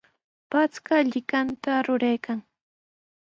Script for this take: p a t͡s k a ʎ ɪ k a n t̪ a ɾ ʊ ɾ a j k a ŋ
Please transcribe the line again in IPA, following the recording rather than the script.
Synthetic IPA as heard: p a t͡s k a ʎ ɪ k a n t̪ a ɾ ʊ ɾ a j k a ŋ